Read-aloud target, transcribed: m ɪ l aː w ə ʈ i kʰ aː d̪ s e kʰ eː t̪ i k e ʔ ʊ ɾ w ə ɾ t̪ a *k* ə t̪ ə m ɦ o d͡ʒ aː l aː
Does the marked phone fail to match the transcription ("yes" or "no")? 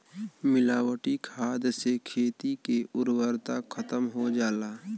yes